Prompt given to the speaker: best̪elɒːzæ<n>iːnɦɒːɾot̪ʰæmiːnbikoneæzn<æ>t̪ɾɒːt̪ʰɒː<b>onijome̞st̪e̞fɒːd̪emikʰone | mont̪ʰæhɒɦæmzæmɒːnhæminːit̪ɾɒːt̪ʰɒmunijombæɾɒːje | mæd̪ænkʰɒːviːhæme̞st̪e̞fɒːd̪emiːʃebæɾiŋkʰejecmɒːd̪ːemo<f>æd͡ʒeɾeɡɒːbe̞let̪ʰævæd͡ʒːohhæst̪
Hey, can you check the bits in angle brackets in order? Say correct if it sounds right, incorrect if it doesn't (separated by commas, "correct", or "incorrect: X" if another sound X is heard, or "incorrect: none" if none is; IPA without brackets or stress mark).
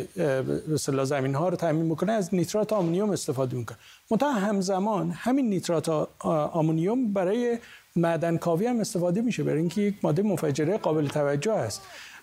incorrect: m, incorrect: i, incorrect: m, correct